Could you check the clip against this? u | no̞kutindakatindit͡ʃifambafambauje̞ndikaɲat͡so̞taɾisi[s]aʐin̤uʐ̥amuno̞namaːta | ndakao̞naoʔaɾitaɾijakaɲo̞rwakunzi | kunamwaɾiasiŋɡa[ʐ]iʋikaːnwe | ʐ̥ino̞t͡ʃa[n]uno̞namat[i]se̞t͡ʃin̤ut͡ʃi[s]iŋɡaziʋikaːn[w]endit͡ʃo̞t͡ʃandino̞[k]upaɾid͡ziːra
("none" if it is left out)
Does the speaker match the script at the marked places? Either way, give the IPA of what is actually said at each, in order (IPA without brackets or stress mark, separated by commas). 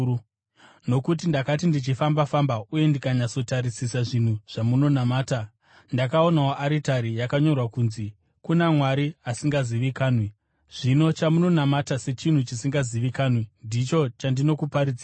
s, z, m, a, s, w, k